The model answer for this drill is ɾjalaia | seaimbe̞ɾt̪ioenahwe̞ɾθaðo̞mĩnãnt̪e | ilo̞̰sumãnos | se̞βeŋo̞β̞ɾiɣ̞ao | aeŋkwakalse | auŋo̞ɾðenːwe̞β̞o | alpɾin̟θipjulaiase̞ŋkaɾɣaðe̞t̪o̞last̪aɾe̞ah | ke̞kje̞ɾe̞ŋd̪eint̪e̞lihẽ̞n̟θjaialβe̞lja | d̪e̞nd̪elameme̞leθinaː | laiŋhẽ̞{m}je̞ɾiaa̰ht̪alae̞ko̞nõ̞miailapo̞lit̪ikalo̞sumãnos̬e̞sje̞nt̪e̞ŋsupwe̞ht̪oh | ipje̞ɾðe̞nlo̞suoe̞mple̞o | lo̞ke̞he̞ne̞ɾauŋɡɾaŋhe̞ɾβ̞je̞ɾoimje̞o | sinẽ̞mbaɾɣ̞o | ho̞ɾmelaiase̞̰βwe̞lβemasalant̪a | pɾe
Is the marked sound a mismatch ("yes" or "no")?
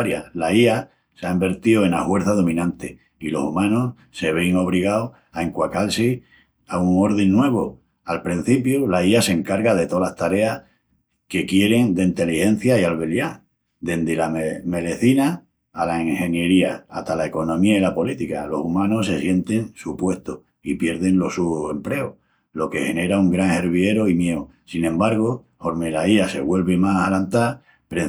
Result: yes